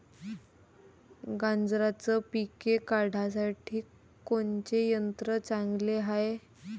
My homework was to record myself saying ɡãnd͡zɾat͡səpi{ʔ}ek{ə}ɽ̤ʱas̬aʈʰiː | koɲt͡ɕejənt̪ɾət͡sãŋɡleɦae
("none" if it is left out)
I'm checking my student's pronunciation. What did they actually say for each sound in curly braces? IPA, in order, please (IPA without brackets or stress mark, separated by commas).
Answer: k, a